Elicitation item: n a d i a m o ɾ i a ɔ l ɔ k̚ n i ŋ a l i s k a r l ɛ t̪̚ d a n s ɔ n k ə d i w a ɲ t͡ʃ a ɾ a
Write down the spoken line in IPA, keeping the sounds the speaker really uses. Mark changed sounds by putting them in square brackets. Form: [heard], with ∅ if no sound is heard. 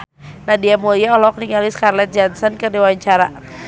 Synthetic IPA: n a d i a m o [l] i a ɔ l ɔ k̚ n i ŋ a l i s k a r l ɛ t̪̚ [d͡ʒ] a n s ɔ n k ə d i w a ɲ t͡ʃ a ɾ a